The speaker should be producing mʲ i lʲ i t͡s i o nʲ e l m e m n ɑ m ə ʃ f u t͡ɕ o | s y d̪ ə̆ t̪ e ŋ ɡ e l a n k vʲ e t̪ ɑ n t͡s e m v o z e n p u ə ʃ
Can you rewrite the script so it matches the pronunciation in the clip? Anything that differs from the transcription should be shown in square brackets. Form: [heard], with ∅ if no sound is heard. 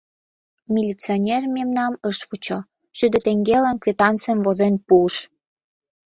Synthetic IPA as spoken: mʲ i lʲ i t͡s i o nʲ e [r] m e m n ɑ m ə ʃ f u t͡ɕ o | [ʃ] y d̪ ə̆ t̪ e ŋ ɡ e l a n k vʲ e t̪ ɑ n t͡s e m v o z e n p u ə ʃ

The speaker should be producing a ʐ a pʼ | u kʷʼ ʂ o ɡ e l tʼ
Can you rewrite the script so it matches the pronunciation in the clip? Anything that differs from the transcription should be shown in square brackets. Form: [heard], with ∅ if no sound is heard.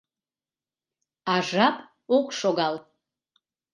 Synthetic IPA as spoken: a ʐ a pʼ | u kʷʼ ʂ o ɡ [a] l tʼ

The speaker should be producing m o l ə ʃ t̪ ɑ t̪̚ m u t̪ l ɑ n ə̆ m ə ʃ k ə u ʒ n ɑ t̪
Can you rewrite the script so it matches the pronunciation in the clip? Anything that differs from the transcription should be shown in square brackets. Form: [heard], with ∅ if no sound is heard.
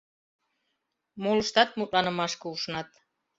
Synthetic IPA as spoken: m o l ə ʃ t̪ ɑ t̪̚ m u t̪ l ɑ n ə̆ m [ɑ] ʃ k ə u [ʃ] n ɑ t̪

